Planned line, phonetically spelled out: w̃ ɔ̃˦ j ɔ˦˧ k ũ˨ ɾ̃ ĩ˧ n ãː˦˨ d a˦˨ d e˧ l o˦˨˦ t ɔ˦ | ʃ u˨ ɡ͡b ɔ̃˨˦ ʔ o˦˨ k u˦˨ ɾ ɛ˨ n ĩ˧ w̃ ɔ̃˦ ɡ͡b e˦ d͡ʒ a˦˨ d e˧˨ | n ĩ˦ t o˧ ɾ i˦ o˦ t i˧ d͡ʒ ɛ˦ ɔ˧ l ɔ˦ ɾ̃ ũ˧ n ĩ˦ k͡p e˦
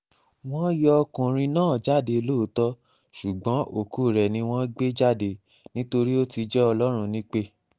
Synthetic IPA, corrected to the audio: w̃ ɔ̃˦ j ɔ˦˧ k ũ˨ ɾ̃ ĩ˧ n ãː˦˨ d͡ʒ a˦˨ d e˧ l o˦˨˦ t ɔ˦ | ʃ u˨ ɡ͡b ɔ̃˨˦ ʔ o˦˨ k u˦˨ ɾ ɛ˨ n ĩ˧ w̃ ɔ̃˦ ɡ͡b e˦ d͡ʒ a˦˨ d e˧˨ | n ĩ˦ t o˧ ɾ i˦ o˦ t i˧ d͡ʒ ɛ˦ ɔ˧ l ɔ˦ ɾ̃ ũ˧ n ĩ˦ k͡p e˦